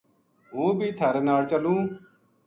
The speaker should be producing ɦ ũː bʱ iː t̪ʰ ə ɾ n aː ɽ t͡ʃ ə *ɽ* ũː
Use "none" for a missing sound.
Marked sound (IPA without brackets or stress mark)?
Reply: l